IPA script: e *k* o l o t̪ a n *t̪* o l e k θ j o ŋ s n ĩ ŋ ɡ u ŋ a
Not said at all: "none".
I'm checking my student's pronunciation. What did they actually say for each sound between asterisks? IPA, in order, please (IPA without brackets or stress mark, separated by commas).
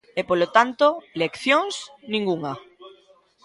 p, t̪